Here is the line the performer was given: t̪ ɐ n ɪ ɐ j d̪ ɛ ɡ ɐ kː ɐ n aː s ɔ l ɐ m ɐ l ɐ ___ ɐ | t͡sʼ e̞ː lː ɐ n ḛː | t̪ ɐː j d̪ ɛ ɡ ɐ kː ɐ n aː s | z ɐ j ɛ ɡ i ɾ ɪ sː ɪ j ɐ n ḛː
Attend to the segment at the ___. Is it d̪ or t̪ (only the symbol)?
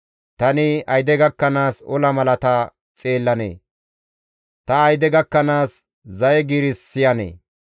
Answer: t̪